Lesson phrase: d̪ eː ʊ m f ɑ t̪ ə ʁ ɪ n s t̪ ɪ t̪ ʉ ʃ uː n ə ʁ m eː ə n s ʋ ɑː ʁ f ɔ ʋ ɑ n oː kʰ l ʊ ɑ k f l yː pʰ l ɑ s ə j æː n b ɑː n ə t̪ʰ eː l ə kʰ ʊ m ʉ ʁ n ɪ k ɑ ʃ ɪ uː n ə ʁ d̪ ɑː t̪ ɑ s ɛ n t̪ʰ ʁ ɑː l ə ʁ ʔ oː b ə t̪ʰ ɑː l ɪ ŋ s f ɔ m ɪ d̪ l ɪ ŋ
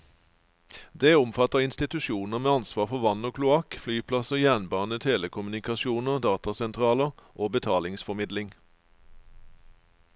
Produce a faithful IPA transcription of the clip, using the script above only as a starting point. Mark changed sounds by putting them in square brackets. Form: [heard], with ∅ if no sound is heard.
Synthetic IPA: d̪ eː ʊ m f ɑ t̪ ə ʁ ɪ n s t̪ ɪ t̪ ʉ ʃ uː n ə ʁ m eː [ɑ] n s ʋ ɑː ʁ f ɔ ʋ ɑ n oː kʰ l ʊ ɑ k f l yː pʰ l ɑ s ə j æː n b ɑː n ə t̪ʰ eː l ə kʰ ʊ m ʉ [∅] n ɪ k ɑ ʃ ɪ uː n ə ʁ d̪ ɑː t̪ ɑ s ɛ n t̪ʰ ʁ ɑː l ə ʁ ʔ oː b ə t̪ʰ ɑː l ɪ ŋ s f ɔ m ɪ d̪ l ɪ ŋ